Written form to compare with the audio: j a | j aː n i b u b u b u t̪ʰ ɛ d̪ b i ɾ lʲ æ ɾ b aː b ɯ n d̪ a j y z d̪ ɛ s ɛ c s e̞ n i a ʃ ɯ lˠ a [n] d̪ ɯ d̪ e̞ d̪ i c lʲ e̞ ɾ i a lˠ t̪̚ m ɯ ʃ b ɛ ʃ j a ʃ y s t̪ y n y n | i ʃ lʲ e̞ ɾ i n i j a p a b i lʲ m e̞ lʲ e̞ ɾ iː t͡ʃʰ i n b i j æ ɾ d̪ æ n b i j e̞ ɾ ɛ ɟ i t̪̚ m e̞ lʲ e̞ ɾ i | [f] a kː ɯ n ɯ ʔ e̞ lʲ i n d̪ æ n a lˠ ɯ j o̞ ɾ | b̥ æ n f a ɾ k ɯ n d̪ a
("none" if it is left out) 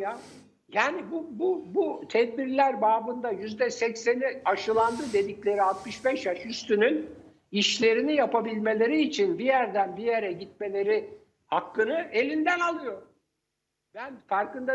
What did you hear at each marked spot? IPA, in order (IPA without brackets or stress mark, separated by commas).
n, h